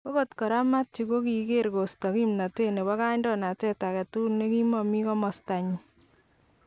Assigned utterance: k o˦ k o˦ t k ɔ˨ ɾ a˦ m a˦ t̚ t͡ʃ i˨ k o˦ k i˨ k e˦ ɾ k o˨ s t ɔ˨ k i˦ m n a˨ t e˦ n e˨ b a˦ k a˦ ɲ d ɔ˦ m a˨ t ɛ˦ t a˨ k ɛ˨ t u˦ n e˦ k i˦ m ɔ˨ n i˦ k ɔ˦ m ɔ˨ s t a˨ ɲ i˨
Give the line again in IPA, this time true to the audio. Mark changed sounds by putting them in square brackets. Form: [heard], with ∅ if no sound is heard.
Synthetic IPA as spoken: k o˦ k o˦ t k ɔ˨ ɾ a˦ m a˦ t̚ t͡ʃ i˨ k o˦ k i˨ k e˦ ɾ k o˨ s t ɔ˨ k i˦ m n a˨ t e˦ n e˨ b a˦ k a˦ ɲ d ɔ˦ [n] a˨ t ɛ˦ t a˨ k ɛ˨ t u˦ n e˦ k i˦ m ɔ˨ [m] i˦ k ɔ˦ m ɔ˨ s t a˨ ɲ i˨